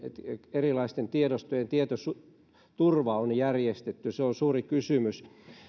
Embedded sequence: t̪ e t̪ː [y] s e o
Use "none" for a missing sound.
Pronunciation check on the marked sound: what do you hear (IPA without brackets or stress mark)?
y